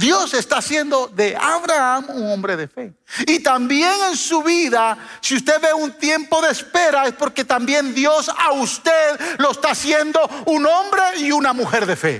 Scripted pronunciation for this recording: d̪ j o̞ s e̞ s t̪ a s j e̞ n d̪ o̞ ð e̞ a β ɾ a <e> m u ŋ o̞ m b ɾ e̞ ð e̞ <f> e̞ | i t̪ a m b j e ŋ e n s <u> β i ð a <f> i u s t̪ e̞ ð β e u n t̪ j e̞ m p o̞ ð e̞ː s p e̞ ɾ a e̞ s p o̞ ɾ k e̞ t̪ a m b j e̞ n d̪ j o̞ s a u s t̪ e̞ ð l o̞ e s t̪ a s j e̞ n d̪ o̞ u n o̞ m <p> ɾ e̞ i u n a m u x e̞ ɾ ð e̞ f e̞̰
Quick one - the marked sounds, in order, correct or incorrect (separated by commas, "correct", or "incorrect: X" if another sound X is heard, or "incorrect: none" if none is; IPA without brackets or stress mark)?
incorrect: a, correct, correct, incorrect: s, incorrect: b